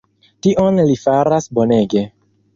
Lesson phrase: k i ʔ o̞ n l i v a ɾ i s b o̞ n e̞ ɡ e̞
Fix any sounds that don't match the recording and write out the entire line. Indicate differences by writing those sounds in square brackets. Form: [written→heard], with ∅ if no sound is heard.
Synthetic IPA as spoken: [k→t] i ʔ o̞ n l i [v→f] a ɾ [i→a] s b o̞ n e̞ ɡ e̞